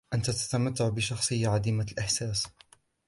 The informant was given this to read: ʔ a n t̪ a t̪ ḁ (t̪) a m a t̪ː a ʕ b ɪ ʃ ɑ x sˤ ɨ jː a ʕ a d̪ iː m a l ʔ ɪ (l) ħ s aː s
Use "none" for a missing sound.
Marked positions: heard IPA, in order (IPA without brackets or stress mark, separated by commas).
t̪, none